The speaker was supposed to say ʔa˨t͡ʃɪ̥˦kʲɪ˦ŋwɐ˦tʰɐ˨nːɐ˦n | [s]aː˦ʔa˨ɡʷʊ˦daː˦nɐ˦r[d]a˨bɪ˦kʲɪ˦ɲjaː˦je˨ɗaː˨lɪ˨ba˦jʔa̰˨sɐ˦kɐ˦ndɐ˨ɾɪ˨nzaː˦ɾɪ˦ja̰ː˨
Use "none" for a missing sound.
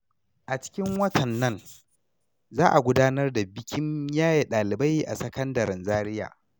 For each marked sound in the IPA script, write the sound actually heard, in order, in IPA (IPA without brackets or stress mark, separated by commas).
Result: z, d